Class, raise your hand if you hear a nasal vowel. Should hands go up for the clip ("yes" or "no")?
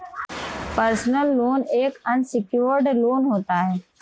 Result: no